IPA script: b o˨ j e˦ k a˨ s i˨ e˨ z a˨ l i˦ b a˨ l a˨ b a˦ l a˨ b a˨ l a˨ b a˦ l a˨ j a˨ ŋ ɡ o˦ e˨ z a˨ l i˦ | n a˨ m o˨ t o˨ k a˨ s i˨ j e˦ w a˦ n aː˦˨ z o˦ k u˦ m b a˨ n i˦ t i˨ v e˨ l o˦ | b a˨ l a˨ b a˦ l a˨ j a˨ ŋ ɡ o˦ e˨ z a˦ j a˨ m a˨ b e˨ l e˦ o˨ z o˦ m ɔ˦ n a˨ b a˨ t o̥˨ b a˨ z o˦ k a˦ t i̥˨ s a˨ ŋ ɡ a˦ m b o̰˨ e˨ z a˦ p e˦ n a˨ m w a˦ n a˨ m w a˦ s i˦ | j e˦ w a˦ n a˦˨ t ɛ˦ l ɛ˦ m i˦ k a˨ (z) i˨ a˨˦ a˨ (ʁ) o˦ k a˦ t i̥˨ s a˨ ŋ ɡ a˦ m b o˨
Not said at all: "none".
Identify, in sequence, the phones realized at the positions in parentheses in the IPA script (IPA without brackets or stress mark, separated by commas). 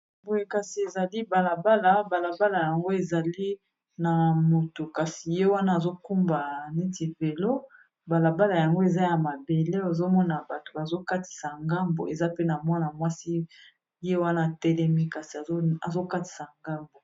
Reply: s, z